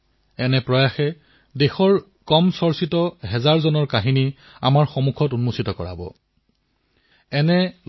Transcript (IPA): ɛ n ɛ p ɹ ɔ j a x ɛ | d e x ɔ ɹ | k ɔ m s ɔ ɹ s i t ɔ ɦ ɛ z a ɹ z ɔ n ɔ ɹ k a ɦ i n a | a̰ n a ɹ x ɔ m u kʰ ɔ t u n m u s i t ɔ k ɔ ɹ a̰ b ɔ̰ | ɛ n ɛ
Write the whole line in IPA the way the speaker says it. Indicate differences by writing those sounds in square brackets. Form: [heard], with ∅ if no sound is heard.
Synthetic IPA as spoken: ɛ n ɛ p ɹ ɔ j a x ɛ | d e x ɔ ɹ | k ɔ m s ɔ ɹ s i t ɔ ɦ ɛ z a ɹ z ɔ n ɔ ɹ k a ɦ i n [i] | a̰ [m] a ɹ x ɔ m u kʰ ɔ t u n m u s i t ɔ k ɔ ɹ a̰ b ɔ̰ | ɛ n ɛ